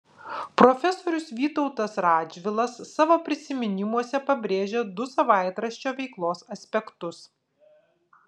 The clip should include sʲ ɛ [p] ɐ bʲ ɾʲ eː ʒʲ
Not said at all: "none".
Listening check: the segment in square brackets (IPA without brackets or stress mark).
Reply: p